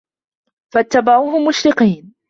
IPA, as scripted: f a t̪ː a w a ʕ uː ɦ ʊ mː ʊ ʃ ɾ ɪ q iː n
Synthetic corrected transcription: f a t̪ː a b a ʕ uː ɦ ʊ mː ʊ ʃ ɾ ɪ q iː n